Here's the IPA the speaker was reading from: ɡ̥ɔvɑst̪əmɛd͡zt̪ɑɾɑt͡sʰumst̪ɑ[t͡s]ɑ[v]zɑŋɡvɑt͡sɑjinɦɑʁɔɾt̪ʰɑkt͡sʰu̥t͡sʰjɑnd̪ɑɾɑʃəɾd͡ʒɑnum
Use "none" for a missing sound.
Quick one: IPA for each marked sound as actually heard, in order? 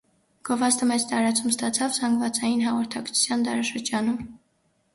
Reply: t͡sʰ, v

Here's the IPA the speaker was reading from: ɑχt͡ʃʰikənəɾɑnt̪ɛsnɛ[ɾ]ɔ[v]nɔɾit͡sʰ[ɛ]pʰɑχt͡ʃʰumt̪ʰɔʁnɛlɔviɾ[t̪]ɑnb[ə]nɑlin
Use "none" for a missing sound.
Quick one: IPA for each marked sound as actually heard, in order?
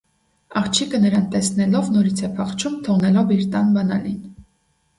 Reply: l, v, ɛ, t̪, ɑ

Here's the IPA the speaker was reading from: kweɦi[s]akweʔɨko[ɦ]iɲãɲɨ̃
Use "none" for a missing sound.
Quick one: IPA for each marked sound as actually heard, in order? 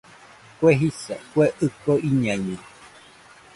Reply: s, none

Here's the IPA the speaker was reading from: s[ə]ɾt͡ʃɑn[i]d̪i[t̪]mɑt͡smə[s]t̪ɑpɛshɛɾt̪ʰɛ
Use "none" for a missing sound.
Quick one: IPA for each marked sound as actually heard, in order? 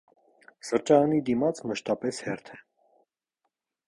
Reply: ə, i, none, ʃ

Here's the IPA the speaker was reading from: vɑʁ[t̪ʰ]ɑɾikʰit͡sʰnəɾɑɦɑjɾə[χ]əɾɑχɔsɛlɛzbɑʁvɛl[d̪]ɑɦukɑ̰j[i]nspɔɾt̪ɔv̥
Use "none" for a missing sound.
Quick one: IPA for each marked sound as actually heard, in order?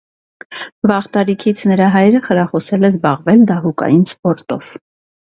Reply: t̪, χ, d̪, i

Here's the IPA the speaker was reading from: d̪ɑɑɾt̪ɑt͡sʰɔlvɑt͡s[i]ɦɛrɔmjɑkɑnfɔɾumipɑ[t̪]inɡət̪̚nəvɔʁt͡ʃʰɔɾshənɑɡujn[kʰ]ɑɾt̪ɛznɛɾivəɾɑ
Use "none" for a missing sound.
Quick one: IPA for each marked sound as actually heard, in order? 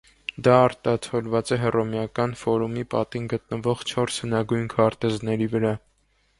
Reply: ɛ, t̪, kʰ

